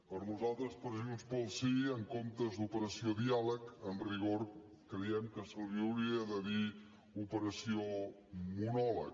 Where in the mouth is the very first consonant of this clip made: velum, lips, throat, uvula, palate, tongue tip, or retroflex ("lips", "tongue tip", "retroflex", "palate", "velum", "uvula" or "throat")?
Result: lips